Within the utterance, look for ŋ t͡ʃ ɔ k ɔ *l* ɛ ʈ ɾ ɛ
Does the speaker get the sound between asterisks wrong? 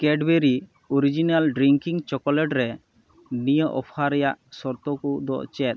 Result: no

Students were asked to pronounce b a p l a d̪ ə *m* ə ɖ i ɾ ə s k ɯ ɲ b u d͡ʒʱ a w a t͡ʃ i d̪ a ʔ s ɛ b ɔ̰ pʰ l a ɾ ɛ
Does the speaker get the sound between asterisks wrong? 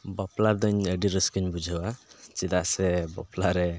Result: yes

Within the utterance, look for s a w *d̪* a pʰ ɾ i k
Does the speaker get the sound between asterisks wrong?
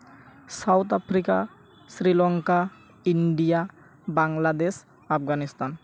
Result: yes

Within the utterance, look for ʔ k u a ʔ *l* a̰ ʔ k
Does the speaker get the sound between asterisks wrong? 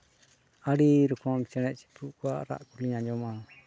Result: yes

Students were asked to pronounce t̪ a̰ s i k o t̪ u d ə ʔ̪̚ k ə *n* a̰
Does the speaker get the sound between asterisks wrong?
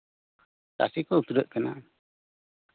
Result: no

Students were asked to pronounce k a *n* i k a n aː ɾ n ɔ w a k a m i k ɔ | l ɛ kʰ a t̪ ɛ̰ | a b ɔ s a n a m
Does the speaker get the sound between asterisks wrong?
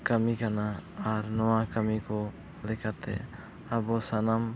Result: yes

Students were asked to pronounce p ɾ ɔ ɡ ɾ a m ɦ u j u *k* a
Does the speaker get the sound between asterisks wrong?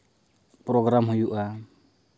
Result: yes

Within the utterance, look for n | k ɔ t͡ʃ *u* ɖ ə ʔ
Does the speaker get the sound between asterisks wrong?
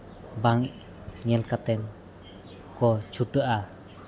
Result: no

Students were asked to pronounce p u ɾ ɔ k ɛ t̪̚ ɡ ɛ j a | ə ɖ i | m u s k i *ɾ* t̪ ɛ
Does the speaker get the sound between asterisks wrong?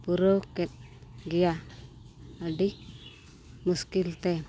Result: yes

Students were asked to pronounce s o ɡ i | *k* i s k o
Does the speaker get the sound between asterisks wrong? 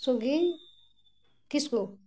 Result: no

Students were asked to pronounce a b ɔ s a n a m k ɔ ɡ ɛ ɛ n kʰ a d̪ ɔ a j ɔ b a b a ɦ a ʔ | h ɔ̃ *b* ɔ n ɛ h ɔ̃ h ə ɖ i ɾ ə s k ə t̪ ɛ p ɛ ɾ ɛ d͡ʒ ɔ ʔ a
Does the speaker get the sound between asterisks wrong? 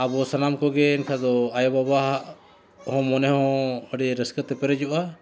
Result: yes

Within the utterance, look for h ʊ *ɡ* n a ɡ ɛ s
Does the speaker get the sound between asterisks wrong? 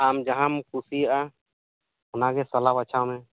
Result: yes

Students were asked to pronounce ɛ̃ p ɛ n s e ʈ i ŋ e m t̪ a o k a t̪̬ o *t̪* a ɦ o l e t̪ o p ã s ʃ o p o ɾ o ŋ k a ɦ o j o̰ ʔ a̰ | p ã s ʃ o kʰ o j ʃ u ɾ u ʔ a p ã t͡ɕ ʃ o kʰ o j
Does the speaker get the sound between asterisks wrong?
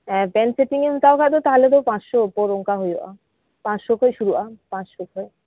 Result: no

